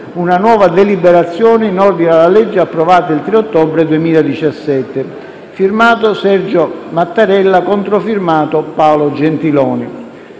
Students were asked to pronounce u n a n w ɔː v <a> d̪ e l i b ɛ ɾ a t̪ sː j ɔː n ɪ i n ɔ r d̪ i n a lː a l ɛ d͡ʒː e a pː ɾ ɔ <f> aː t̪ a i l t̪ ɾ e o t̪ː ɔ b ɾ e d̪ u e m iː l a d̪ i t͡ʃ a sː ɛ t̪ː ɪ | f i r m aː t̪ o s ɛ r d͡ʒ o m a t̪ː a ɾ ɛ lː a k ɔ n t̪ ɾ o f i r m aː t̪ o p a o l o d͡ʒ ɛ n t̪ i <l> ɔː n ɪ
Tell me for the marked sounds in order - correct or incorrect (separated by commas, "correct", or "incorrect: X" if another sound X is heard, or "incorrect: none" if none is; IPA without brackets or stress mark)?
correct, incorrect: v, correct